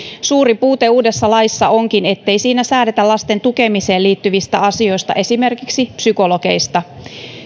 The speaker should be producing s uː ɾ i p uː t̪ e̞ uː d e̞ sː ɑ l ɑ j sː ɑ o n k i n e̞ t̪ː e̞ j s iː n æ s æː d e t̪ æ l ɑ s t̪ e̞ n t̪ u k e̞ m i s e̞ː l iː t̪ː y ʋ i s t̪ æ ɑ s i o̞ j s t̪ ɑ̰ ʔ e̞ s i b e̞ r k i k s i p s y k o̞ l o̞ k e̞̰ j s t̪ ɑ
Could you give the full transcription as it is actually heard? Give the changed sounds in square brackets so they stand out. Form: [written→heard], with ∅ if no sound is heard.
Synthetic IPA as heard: s uː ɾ i p uː t̪ e̞ uː d e̞ sː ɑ l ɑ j sː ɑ o [n→ŋ] k i n e̞ t̪ː e̞ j s iː n æ s æː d e t̪ æ l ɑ s t̪ e̞ n t̪ u k e̞ m i s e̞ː l iː t̪ː y ʋ i s t̪ æ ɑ s i o̞ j s t̪ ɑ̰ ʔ e̞ s i [b→m] e̞ r k i k s i p s y k o̞ l o̞ k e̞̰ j s t̪ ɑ